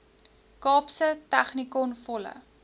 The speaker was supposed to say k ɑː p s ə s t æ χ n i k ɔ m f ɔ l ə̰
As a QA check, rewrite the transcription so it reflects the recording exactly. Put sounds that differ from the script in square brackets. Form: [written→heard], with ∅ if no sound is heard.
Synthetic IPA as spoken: k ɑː p s ə [s→∅] t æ χ n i k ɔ [m→n] f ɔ l ə̰